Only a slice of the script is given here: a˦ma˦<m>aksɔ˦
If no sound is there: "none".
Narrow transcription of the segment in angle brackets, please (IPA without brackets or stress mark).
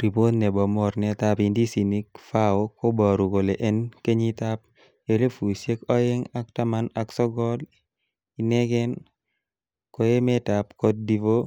n